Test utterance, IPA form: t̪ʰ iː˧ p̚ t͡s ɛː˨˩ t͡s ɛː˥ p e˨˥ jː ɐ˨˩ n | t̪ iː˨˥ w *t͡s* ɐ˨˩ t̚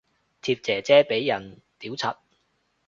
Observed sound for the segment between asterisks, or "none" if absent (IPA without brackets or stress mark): t͡sʰ